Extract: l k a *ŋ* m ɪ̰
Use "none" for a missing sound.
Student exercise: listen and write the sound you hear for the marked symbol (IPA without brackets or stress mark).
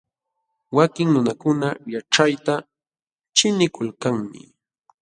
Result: ŋ